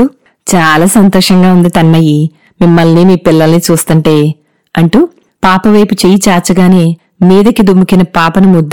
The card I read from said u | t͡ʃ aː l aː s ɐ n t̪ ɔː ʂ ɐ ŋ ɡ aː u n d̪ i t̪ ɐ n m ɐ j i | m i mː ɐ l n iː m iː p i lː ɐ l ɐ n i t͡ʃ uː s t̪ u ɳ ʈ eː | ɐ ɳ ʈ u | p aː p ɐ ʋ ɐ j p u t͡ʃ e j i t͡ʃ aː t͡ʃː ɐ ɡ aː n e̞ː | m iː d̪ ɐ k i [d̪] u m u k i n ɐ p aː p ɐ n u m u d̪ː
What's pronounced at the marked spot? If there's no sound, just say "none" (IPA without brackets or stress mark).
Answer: d̪